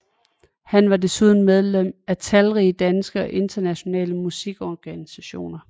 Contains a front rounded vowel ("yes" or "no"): no